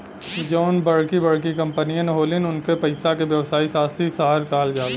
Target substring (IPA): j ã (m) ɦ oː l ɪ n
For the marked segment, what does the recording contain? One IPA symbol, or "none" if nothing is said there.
n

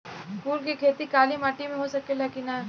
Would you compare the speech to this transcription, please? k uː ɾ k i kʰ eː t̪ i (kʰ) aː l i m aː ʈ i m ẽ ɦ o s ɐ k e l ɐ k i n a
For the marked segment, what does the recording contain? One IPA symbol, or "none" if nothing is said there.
k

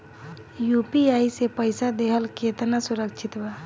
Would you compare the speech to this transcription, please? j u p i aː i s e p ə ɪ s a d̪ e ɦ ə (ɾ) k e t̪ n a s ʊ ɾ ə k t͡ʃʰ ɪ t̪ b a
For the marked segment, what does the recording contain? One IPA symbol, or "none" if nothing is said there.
l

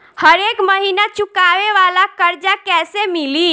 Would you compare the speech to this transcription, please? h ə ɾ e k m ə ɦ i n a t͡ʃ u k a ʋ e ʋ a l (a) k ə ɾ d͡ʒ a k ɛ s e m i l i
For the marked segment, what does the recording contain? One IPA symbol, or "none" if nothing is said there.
a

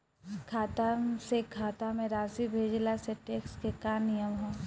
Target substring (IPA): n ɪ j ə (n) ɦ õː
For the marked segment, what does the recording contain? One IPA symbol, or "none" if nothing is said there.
m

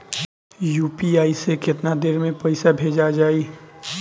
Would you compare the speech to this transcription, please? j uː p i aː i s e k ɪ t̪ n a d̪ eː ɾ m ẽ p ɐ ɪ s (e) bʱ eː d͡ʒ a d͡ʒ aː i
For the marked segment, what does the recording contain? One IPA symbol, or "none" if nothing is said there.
a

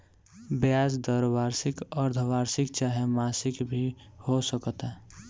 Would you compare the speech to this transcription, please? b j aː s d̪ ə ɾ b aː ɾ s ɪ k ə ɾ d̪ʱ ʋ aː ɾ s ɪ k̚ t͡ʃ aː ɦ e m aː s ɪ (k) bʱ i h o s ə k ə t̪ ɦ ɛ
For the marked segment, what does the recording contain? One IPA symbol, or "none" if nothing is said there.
k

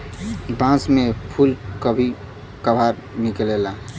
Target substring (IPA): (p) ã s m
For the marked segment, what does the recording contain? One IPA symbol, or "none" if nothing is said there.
b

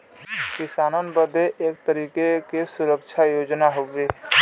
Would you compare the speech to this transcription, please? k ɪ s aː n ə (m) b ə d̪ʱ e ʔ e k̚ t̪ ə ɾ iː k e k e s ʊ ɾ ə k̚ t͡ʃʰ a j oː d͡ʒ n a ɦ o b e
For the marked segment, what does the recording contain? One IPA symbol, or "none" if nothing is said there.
n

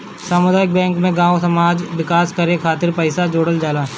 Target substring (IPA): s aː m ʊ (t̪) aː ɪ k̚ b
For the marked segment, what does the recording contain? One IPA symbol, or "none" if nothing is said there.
d̪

